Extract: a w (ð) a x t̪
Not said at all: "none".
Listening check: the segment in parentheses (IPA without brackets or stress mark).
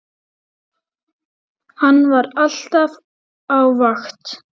v